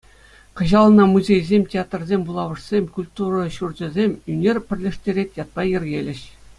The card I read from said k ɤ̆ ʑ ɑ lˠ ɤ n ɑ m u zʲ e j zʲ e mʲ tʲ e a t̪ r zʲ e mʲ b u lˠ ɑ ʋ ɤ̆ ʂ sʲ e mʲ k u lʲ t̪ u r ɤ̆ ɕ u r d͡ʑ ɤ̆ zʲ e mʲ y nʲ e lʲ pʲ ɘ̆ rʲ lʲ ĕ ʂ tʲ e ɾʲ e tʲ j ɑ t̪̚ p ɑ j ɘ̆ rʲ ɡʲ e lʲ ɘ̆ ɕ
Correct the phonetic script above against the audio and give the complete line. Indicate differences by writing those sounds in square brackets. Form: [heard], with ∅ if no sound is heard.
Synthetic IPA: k ɤ̆ ʑ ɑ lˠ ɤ n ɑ m u zʲ e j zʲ e mʲ tʲ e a t̪ r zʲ e mʲ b u lˠ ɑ ʋ ɤ̆ ʂ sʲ e mʲ k u lʲ t̪ u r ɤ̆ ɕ u r d͡ʑ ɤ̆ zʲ e mʲ y nʲ e [rʲ] pʲ ɘ̆ rʲ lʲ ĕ ʂ tʲ e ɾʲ e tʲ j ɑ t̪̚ p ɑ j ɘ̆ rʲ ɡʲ e lʲ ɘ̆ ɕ